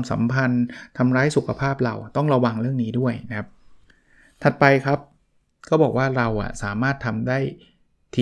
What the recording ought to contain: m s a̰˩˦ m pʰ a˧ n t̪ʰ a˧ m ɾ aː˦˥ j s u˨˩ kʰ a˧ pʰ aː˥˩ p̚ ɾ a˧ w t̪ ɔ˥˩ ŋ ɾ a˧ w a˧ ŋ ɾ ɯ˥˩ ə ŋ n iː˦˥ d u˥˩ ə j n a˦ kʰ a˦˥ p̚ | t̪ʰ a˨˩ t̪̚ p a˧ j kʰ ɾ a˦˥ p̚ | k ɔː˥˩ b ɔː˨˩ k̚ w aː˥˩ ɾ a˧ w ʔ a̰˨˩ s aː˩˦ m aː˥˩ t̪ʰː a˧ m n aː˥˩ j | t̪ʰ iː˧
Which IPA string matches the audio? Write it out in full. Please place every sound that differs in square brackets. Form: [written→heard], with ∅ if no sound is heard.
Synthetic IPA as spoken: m s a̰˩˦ m pʰ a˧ n t̪ʰ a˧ m ɾ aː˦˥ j s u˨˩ kʰ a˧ pʰ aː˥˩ p̚ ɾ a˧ w t̪ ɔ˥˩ ŋ ɾ a˧ w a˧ ŋ ɾ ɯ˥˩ ə ŋ n iː˦˥ d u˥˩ ə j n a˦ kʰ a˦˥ p̚ | t̪ʰ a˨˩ t̪̚ p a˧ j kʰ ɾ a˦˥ p̚ | k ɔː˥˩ b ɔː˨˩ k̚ w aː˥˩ ɾ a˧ w ʔ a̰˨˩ s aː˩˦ m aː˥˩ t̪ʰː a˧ m [n→d] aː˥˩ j | t̪ʰ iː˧